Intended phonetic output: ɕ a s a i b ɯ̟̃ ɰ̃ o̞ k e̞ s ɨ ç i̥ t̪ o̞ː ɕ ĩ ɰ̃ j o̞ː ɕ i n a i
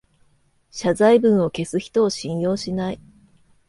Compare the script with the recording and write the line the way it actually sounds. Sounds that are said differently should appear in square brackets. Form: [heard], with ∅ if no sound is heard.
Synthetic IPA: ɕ a [z] a i b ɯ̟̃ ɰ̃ o̞ k e̞ s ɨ ç i̥ t̪ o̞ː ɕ ĩ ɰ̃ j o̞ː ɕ i n a i